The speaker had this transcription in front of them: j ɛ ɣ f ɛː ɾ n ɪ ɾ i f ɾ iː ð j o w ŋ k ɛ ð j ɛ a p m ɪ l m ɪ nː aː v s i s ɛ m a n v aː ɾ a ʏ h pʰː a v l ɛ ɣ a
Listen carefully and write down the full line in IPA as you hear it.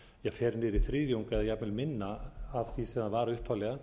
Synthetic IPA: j ɛ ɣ f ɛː ɾ n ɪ ɾ i θ ɾ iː ð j o w ŋ k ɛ ð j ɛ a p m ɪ l m ɪ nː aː v θ i s ɛ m a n v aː ɾ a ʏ h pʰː a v l ɛ ɣ a